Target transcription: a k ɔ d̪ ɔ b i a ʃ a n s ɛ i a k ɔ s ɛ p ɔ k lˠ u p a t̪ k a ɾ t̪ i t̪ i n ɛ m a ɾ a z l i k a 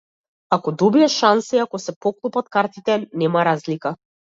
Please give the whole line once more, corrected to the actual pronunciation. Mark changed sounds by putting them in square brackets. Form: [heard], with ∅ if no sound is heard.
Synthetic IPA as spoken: a k ɔ d̪ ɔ b i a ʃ a n s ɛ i a k ɔ s ɛ p ɔ k lˠ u p a t̪ k a ɾ t̪ i t̪ [ɛ] n ɛ m a ɾ a z l i k a